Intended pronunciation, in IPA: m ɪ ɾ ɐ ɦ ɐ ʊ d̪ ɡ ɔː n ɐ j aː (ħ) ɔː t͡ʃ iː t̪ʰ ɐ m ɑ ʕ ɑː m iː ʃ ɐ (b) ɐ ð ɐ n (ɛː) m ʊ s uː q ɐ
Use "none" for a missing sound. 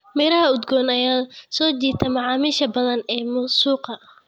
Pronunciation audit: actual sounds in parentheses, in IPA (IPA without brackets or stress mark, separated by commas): s, b, ɛː